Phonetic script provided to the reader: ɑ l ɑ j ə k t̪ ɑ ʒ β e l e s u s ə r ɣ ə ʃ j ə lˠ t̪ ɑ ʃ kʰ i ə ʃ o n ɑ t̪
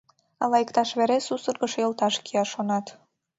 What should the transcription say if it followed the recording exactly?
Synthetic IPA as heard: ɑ l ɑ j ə k t̪ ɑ ʃ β e ɾ e s u s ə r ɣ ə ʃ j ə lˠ t̪ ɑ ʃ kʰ i ɑ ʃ o n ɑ t̪